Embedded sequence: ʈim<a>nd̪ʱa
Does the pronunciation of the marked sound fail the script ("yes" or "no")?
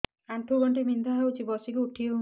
yes